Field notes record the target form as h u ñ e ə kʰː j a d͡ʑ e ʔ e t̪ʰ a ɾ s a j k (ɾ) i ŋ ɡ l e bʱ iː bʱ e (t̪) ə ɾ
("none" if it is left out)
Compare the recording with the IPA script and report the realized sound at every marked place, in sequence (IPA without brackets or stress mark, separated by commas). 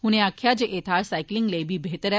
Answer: l, t̪